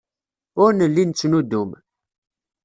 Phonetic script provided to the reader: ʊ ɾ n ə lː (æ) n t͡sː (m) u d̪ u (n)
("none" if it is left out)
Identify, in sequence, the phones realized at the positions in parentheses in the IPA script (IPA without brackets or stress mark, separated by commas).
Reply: i, n, m